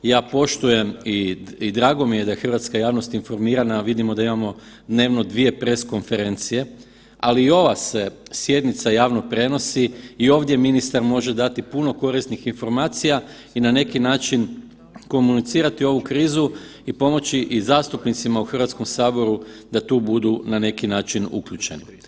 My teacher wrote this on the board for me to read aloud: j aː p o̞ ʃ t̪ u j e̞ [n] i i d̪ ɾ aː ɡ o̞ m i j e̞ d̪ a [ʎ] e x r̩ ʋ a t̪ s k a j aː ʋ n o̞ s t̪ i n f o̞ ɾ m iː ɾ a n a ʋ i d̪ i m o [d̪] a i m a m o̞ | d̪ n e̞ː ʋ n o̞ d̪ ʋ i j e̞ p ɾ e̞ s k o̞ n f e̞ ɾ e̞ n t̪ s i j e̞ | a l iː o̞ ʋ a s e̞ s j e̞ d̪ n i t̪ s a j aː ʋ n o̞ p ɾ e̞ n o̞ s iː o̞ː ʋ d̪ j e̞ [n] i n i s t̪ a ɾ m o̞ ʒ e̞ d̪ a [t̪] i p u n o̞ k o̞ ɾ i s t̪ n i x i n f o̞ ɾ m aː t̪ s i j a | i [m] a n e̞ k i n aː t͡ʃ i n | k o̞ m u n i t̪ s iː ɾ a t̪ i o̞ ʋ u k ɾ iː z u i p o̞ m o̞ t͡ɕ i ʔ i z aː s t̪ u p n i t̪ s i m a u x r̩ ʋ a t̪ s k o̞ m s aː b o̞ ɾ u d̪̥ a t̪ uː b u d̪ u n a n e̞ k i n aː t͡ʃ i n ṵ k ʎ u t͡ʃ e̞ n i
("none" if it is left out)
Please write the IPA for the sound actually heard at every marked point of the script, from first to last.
m, j, d̪, m, t̪, n

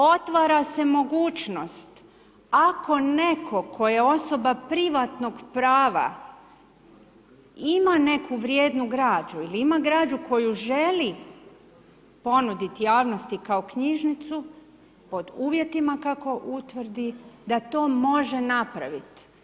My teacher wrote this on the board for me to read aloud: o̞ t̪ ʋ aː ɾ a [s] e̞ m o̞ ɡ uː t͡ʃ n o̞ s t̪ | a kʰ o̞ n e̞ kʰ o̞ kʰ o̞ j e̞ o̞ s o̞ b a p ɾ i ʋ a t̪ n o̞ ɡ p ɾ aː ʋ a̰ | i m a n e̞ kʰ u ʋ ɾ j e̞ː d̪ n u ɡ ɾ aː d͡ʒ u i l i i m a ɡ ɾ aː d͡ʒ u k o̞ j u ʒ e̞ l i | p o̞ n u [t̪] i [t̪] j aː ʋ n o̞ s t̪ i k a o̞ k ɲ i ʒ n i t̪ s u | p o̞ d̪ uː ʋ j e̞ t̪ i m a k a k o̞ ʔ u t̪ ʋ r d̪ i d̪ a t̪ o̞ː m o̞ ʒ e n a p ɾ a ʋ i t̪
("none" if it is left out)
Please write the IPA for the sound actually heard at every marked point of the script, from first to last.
s, d̪, t̪

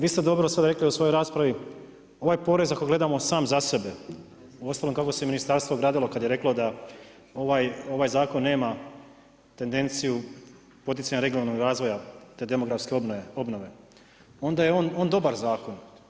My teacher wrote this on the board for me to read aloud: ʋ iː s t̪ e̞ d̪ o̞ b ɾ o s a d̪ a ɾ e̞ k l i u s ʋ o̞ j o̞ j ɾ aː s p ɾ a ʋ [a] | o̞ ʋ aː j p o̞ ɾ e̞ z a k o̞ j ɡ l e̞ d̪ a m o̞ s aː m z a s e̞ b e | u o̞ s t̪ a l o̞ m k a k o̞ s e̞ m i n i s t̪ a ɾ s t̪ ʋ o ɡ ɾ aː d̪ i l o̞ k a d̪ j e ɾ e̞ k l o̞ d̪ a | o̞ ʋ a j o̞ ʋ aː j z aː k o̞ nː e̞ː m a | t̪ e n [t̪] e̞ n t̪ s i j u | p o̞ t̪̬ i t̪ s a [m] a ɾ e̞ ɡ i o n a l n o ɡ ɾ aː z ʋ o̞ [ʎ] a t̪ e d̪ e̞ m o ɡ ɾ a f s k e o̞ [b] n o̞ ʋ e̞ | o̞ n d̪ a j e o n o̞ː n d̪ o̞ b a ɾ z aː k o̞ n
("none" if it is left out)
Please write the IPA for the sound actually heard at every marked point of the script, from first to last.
i, d̪, ɲ, j, b

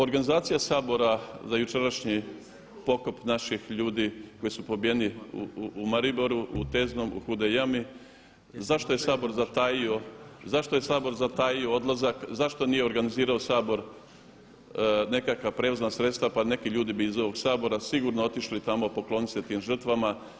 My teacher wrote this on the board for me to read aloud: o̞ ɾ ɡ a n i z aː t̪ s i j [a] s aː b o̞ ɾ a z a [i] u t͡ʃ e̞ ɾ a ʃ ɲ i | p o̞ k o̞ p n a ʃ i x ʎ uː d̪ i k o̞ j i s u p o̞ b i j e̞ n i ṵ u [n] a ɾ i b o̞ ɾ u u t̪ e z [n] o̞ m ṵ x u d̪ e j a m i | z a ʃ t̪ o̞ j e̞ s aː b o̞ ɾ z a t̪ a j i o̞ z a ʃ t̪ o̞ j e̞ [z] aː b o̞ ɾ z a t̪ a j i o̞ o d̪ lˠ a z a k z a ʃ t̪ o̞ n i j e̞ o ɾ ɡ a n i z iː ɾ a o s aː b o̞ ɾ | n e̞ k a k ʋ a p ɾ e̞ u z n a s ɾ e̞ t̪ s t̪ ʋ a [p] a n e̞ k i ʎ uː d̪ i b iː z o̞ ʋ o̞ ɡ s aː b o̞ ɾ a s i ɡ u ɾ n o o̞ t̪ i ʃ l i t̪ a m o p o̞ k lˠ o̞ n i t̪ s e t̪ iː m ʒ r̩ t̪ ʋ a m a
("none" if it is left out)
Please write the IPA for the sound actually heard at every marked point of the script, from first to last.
a, j, m, n, s, p

